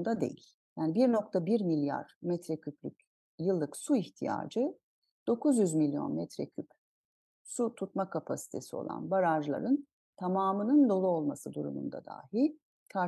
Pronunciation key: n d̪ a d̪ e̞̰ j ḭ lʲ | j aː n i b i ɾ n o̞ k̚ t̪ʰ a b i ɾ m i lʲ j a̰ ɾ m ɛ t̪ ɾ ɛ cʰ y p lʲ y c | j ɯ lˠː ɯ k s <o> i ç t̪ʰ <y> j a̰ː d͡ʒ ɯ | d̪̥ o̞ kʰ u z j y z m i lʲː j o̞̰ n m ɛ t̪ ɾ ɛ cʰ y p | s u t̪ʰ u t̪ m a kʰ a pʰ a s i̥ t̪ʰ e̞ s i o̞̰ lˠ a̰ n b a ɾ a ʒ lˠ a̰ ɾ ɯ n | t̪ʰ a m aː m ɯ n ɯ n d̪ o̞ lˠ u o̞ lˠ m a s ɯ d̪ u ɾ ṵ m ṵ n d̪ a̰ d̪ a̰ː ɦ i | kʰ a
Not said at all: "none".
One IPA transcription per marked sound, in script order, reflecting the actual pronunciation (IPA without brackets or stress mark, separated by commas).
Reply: u, i